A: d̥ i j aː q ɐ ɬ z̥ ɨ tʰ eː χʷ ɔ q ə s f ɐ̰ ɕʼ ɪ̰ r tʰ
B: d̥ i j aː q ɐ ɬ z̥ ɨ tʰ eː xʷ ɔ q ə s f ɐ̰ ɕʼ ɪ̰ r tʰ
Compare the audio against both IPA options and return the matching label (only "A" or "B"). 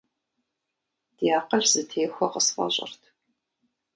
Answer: B